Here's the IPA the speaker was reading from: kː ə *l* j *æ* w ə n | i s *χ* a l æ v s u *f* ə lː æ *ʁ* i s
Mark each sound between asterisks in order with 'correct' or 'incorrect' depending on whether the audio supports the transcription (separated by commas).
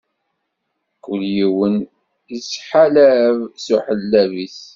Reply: correct, incorrect, incorrect, incorrect, incorrect